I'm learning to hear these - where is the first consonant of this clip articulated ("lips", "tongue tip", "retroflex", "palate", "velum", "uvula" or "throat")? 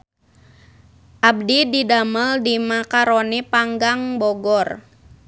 throat